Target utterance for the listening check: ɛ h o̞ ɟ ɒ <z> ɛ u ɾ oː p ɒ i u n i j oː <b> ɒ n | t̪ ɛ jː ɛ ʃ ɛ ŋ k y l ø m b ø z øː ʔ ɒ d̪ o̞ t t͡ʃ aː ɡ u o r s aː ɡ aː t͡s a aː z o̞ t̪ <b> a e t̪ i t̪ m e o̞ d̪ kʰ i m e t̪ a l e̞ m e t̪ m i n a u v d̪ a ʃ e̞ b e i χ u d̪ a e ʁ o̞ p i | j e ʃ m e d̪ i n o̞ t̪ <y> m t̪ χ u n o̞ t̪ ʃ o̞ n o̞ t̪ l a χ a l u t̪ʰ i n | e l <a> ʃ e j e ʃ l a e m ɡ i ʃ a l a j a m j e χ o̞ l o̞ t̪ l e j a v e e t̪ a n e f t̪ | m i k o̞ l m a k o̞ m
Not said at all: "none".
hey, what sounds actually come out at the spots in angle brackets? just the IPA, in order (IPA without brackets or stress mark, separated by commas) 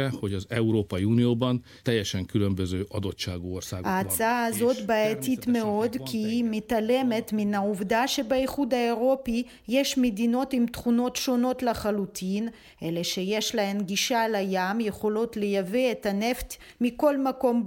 z, b, b, i, e